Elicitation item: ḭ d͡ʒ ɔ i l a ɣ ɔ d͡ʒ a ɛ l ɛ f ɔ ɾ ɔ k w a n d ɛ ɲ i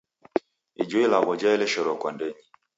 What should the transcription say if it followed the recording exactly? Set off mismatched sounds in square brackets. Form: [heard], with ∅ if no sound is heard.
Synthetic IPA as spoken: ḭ d͡ʒ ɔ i l a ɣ ɔ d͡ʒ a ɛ l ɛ [ʃ] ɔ ɾ ɔ k w a n d ɛ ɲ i